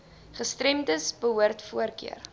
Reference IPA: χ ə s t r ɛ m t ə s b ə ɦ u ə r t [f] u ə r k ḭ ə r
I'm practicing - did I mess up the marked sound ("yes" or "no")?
no